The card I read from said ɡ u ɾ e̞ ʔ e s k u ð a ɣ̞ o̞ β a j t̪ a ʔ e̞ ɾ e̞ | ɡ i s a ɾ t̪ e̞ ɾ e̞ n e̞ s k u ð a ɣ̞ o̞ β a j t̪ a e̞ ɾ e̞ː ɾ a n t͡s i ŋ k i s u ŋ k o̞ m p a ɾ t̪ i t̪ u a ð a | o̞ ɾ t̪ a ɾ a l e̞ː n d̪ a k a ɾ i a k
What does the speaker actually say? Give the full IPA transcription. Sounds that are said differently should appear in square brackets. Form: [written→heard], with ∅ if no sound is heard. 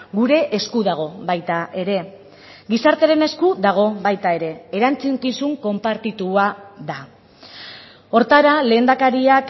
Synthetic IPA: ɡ u ɾ e̞ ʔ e s k u ð a ɣ̞ o̞ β a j t̪ a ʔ e̞ ɾ e̞ | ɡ i s a ɾ t̪ e̞ ɾ e̞ n e̞ s k u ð a ɣ̞ o̞ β a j t̪ a e̞ ɾ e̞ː ɾ a n t͡s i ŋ k i s u ŋ k o̞ m p a ɾ t̪ i t̪ u a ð a | o̞ ɾ t̪ a ɾ a l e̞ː n d̪ a k a ɾ i a k

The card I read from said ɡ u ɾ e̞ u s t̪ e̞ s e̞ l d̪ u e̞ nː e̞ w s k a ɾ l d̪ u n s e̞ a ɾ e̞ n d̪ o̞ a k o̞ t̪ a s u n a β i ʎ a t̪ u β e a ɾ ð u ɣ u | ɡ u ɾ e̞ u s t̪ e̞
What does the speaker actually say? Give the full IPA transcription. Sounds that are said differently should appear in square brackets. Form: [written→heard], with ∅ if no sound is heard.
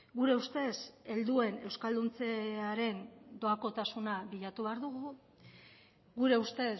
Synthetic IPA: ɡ u ɾ e̞ u s t̪ e̞ s e̞ l d̪ u e̞ [nː→n] e̞ w s k a [ɾ→∅] l d̪ u n [s→t͡s] e̞ a ɾ e̞ n d̪ o̞ a k o̞ t̪ a s u n a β i ʎ a t̪ u β e a ɾ ð u ɣ u | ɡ u ɾ e̞ u s t̪ e̞

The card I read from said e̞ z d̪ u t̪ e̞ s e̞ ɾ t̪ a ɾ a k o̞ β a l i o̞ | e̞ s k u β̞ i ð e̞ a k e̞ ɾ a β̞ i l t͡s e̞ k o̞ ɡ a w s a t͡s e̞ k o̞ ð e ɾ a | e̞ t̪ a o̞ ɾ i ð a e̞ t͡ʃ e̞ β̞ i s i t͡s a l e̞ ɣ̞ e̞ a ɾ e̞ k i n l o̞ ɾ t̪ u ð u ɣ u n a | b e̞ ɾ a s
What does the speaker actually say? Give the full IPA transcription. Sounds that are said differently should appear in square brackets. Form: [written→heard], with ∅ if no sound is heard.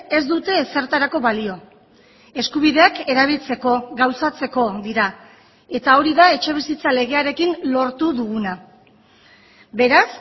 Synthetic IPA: e̞ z d̪ u t̪ e̞ s e̞ ɾ t̪ a ɾ a k o̞ β a l i o̞ | e̞ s k u β̞ i ð e̞ a k e̞ ɾ a β̞ i l t͡s e̞ k o̞ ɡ a w s a t͡s e̞ k o̞ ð [e→i] ɾ a | e̞ t̪ a o̞ ɾ i ð a e̞ t͡ʃ e̞ β̞ i s i t͡s a l e̞ ɣ̞ e̞ a ɾ e̞ k i n l o̞ ɾ t̪ u ð u ɣ u n a | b e̞ ɾ a s

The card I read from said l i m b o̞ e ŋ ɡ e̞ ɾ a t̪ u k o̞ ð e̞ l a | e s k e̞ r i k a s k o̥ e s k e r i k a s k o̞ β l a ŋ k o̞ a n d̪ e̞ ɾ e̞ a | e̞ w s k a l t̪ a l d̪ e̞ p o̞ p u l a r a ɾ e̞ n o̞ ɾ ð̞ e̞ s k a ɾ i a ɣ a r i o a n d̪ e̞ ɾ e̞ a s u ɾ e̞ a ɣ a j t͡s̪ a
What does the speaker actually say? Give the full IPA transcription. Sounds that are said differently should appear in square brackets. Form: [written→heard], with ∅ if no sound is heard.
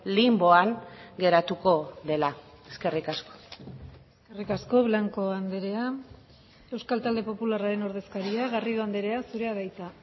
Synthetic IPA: l i m b o̞ [e→a] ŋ ɡ e̞ ɾ a t̪ u k o̞ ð e̞ l a | e s k e̞ r i k a s k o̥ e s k e r i k a s k o̞ β l a ŋ k o̞ a n d̪ e̞ ɾ e̞ a | e̞ w s k a l t̪ a l d̪ e̞ p o̞ p u l a r a ɾ e̞ n o̞ ɾ ð̞ e̞ s k a ɾ i a ɣ a r i o a n d̪ e̞ ɾ e̞ a s u ɾ e̞ a [ɣ→ð] a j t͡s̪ a

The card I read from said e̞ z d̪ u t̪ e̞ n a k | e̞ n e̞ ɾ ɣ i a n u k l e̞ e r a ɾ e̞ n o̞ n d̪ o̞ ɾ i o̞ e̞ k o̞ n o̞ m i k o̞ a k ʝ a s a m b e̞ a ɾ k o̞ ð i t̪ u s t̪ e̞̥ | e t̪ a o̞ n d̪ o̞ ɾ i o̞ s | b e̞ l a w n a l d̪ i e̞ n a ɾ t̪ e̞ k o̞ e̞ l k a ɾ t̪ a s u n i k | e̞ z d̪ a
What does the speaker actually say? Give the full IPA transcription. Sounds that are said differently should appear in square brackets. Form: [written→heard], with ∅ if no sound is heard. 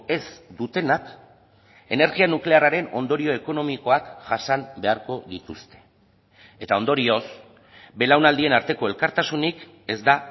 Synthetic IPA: e̞ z d̪ u t̪ e̞ n a k | e̞ n e̞ ɾ ɣ i a n u k l e̞ [e→a] r a ɾ e̞ n o̞ n d̪ o̞ ɾ i o̞ e̞ k o̞ n o̞ m i k o̞ a k ʝ a s a m b e̞ a ɾ k o̞ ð i t̪ u s t̪ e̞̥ | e t̪ a o̞ n d̪ o̞ ɾ i o̞ s | b e̞ l a w n a l d̪ i e̞ n a ɾ t̪ e̞ k o̞ e̞ l k a ɾ t̪ a s u n i k | e̞ z d̪ a

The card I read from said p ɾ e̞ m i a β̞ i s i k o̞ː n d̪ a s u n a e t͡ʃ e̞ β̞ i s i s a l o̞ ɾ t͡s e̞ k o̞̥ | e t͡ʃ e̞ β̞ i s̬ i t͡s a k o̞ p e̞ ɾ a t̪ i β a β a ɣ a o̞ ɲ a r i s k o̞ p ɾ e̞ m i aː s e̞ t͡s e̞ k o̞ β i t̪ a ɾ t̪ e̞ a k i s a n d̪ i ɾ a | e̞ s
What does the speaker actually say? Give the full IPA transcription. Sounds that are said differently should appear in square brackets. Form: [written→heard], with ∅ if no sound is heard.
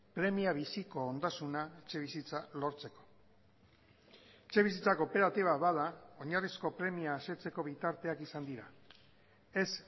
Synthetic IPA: p ɾ e̞ m i a β̞ i s i k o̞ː n d̪ a s u n a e t͡ʃ e̞ β̞ i s i [s→t͡s] a l o̞ ɾ t͡s e̞ k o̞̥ | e t͡ʃ e̞ β̞ i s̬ i t͡s a k o̞ p e̞ ɾ a t̪ i β a β a [ɣ→ð] a o̞ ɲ a r i s k o̞ p ɾ e̞ m i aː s e̞ t͡s e̞ k o̞ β i t̪ a ɾ t̪ e̞ a k i s a n d̪ i ɾ a | e̞ s

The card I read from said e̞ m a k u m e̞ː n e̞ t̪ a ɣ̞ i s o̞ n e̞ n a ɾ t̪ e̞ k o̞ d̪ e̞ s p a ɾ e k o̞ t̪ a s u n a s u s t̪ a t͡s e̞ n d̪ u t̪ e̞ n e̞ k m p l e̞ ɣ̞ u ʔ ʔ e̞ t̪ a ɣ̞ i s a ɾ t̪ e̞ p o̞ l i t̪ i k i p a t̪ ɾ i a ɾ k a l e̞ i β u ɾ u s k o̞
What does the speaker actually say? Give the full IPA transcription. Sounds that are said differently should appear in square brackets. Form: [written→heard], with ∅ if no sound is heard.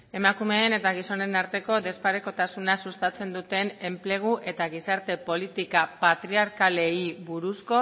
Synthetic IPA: e̞ m a k u m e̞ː n e̞ t̪ a ɣ̞ i s o̞ n e̞ n a ɾ t̪ e̞ k o̞ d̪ e̞ s p a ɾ e k o̞ t̪ a s u n a s u s t̪ a t͡s e̞ n d̪ u t̪ e̞ n e̞ [k→∅] m p l e̞ ɣ̞ u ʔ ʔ e̞ t̪ a ɣ̞ i s a ɾ t̪ e̞ p o̞ l i t̪ i k [i→a] p a t̪ ɾ i a ɾ k a l e̞ i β u ɾ u s k o̞

